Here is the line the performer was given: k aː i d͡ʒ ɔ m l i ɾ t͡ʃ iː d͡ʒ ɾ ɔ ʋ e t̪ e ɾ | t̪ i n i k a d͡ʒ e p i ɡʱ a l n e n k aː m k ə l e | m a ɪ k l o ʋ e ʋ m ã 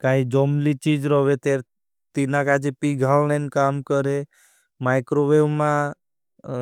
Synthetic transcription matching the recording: k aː i d͡ʒ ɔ m l i t͡ʃ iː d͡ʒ ɾ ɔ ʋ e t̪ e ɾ | t̪ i n a k a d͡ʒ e p i ɡʱ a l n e n k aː m k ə ɾ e | m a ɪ k ɾ o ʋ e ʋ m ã